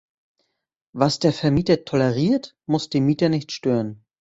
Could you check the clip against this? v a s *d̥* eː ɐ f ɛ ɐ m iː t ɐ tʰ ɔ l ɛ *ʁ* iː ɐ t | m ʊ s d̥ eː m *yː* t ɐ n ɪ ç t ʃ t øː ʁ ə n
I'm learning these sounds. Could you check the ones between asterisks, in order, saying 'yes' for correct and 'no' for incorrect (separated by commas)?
yes, yes, no